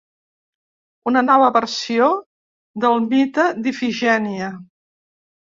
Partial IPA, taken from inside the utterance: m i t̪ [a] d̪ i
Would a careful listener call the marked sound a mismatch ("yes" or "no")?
yes